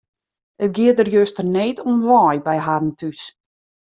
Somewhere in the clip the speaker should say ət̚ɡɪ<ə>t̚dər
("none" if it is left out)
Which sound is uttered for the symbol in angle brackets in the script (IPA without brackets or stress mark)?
ə